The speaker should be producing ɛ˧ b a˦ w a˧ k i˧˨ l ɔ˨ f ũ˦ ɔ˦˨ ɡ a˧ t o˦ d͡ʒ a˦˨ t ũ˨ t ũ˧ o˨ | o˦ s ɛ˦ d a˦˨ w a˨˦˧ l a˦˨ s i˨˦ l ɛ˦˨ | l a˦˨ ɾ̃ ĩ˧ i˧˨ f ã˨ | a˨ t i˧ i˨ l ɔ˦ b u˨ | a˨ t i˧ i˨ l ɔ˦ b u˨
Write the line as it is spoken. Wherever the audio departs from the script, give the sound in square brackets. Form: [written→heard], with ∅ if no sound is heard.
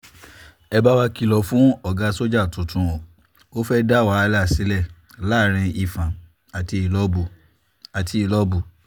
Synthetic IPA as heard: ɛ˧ b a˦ w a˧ k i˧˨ l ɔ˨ f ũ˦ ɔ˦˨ ɡ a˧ [t→s] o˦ d͡ʒ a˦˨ t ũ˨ t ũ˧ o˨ | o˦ [s→f] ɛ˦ d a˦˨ w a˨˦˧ l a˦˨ s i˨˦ l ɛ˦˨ | l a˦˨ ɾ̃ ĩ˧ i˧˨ f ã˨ | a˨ t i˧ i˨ l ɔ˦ b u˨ | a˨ t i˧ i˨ l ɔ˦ b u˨